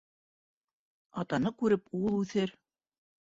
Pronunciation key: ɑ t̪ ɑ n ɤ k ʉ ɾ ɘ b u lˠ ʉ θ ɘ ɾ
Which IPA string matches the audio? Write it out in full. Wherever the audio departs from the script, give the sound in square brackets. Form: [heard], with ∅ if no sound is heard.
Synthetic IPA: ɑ t̪ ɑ n ɤ k ʉ ɾ ɘ [p] u lˠ ʉ θ ɘ ɾ